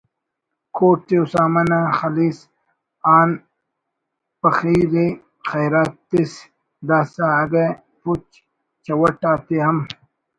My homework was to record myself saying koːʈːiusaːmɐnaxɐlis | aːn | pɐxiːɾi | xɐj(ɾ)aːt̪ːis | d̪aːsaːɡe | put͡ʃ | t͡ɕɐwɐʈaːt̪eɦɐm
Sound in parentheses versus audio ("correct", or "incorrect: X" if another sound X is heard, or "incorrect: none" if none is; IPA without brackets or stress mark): correct